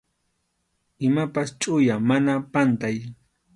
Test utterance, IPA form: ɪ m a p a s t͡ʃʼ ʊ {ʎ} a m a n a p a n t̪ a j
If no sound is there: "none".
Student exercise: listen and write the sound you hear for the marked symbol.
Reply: j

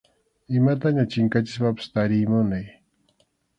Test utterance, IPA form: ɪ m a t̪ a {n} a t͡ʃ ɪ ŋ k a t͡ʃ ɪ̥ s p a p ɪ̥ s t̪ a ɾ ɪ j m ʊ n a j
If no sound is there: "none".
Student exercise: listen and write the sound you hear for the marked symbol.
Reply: ɲ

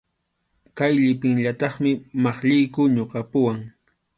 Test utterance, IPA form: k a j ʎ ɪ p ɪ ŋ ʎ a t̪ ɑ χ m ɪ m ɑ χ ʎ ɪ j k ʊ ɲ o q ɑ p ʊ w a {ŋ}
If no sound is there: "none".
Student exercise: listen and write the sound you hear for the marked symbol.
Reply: ŋ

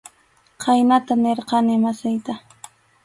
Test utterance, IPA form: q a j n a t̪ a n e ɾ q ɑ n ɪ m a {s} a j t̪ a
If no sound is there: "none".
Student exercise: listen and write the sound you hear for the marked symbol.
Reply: s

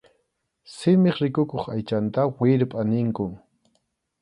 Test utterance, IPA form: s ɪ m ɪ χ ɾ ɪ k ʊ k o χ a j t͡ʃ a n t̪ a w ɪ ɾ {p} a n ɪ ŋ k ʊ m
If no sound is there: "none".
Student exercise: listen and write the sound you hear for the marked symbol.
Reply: pʼ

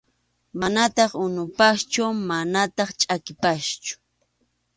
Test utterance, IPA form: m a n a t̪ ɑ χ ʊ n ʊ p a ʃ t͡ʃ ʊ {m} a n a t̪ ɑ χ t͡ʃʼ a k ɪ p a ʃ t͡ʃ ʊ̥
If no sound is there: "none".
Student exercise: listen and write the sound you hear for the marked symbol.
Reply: m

